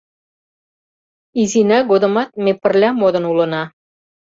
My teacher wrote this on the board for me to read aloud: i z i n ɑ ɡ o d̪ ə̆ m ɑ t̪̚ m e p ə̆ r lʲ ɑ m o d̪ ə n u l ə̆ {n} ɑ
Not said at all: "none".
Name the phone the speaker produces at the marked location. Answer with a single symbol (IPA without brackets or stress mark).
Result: n